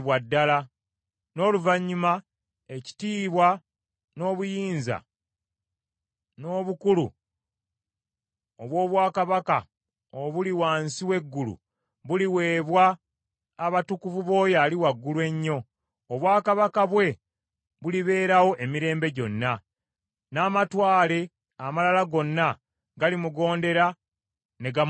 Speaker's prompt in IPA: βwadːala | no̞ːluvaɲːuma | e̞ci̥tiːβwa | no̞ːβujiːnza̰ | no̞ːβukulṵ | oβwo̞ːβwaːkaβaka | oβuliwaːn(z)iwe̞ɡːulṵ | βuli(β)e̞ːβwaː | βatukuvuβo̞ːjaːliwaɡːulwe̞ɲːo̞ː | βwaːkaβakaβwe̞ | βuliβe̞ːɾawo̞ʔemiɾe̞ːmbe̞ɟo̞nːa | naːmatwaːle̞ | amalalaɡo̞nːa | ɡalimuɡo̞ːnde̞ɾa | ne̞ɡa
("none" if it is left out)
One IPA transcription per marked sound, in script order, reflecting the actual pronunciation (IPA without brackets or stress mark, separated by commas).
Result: s, w